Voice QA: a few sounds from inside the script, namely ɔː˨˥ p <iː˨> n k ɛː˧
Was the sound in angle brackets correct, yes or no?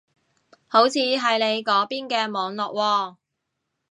no